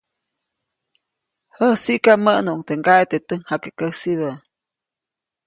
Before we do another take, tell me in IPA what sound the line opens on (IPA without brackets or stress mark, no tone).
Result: h